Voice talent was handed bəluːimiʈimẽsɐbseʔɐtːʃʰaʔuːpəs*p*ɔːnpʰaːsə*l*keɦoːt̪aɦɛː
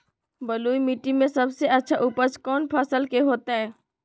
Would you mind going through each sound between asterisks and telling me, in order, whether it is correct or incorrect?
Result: incorrect: k, correct

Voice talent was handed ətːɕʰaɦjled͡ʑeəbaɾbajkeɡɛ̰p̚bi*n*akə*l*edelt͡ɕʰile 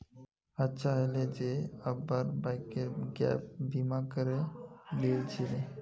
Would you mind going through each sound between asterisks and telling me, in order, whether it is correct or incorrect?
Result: incorrect: m, incorrect: ɾ

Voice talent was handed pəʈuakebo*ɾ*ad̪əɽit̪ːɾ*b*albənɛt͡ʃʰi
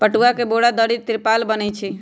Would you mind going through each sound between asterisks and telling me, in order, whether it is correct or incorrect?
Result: incorrect: ɽ, incorrect: p

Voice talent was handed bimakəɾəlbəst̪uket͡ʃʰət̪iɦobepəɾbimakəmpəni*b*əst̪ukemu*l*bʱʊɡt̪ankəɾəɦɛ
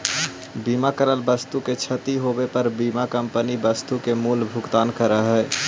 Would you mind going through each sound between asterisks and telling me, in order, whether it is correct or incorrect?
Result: correct, correct

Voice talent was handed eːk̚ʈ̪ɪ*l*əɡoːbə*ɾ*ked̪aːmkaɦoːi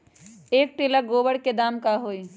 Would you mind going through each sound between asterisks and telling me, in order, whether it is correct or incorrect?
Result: correct, incorrect: ɽ

